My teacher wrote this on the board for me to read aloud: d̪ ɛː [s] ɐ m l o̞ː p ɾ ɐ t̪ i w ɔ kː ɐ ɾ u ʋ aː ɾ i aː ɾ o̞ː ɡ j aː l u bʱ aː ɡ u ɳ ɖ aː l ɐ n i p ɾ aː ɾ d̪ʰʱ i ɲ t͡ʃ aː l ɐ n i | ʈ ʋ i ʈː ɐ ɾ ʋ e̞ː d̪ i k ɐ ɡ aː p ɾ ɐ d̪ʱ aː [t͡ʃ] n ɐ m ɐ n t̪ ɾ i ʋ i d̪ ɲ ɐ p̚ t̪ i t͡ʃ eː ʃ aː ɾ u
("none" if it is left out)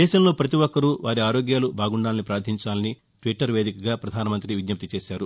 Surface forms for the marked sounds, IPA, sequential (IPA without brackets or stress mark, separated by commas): ʃ, none